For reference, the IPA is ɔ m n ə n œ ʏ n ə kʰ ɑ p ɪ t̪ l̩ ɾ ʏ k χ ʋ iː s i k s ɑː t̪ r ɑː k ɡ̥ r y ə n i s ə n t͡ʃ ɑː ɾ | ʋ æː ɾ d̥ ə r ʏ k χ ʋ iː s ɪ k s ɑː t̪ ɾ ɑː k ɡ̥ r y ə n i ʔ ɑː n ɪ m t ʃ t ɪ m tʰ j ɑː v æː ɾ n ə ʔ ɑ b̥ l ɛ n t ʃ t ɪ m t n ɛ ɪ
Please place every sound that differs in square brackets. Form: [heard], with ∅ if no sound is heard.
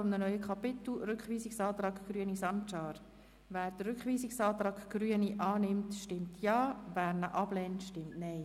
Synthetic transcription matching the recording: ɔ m n ə n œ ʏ [∅] ə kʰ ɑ p ɪ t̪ l̩ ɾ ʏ k χ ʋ iː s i k s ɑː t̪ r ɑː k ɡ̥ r y ə n i s [ɑ] n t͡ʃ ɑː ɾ | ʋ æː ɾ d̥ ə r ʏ k χ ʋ iː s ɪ k s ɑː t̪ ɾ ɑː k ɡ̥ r y ə n i ʔ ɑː n ɪ m t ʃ t ɪ m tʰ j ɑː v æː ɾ n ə ʔ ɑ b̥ l ɛ n t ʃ t ɪ m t n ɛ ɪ